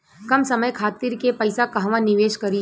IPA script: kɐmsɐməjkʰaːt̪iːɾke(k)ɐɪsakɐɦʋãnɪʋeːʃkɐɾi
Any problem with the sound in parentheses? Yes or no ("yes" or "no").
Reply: yes